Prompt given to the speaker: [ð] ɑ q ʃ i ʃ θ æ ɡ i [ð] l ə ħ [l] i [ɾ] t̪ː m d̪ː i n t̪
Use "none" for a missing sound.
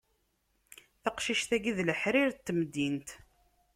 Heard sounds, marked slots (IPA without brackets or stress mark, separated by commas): θ, ð, ɾ, ɾ